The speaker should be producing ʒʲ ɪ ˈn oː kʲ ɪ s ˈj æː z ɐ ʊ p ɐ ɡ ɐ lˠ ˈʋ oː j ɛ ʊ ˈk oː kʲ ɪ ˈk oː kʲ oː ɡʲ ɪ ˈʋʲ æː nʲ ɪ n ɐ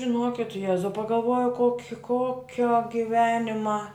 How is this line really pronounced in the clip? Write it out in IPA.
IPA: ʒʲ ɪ ˈn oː kʲ ɪ t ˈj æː z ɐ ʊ p ɐ ɡ ɐ lˠ ˈʋ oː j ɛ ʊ ˈk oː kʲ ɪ ˈk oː kʲ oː ɡʲ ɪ ˈʋʲ æː nʲ ɪ m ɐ